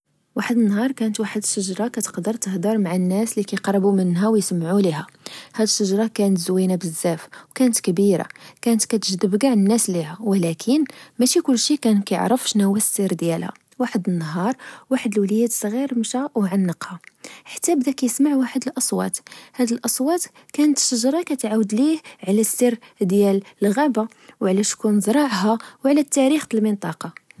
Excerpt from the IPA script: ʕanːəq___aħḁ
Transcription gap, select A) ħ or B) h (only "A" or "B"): B